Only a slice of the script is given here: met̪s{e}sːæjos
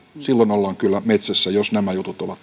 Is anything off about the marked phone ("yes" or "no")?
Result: yes